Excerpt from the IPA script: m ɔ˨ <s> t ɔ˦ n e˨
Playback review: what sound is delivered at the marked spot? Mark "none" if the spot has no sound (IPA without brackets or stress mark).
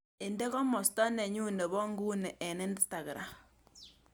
s